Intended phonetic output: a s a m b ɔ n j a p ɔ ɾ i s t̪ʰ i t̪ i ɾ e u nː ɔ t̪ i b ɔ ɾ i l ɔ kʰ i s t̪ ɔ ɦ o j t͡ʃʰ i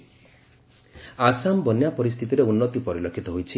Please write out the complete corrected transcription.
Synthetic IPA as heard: a s a m b ɔ n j a p ɔ ɾ i s t̪ʰ i t̪ i ɾ e u nː ɔ t̪ i p ɔ ɾ i l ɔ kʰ i t̪ ɔ ɦ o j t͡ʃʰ i